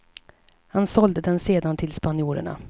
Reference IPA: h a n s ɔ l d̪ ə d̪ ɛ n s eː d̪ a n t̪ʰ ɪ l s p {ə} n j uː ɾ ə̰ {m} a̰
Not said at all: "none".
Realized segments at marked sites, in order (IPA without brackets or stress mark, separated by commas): a, ɳ